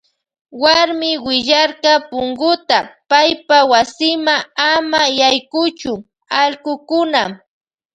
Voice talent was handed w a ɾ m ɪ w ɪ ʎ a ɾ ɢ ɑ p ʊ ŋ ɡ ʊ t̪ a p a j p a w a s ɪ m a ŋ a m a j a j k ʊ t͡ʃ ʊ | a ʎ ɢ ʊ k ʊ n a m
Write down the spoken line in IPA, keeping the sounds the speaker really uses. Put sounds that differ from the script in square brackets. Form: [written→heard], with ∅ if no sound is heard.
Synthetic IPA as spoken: w a ɾ m ɪ w ɪ ʎ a ɾ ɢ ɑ p ʊ ŋ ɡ ʊ t̪ a p a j p a w a s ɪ m a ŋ a m a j a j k ʊ t͡ʃ ʊ | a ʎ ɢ ʊ k ʊ n a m